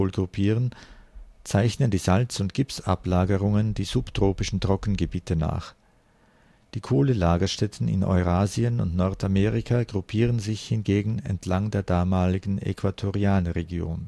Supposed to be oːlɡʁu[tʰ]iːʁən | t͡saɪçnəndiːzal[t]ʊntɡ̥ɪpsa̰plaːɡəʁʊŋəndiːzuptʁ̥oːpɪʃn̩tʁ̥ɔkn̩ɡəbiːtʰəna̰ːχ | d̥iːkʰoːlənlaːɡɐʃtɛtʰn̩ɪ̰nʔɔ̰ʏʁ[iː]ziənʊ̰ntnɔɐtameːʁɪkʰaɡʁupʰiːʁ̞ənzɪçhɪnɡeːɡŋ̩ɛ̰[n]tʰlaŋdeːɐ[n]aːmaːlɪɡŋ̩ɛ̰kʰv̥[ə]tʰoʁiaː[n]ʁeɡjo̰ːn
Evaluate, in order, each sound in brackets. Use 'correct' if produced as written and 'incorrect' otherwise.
incorrect: pʰ, incorrect: t͡s, incorrect: aː, correct, incorrect: d, incorrect: a, correct

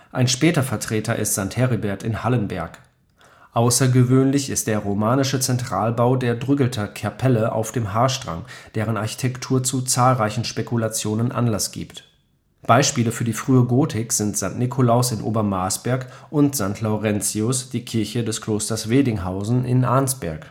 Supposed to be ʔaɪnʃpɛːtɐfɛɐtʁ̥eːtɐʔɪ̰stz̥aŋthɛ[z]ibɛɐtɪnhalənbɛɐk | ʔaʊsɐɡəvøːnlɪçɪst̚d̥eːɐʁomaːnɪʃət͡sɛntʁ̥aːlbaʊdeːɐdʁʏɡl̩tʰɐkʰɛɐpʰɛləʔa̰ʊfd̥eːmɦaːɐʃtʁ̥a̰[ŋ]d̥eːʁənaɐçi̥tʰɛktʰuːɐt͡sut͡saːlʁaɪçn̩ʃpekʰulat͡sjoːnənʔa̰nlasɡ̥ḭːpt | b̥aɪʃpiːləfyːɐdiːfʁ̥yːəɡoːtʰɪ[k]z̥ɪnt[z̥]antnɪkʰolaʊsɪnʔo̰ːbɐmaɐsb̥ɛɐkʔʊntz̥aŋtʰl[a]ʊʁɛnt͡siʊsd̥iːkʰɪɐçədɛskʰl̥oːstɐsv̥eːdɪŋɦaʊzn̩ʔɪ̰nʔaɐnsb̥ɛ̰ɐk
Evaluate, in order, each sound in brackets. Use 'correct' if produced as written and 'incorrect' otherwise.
incorrect: ʁ, correct, correct, correct, correct

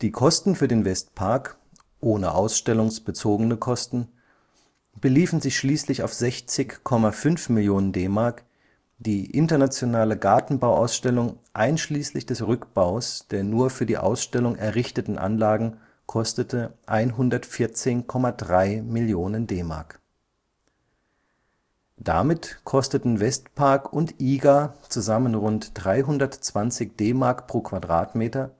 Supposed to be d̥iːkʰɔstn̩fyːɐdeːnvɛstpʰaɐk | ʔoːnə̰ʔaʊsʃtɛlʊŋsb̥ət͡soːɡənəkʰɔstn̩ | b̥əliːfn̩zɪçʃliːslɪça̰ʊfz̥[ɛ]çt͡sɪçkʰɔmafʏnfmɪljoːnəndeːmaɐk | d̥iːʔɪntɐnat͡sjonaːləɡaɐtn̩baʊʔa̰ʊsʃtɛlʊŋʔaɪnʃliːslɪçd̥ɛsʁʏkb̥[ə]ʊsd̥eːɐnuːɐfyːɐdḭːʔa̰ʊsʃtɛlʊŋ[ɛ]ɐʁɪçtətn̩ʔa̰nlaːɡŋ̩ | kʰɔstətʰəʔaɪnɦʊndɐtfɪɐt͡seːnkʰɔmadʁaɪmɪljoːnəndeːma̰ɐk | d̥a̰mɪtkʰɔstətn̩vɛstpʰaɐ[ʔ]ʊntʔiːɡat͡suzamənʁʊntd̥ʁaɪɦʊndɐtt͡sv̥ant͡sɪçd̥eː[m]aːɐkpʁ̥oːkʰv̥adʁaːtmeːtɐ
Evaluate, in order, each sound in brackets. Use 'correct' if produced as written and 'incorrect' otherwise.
correct, incorrect: a, correct, incorrect: k, correct

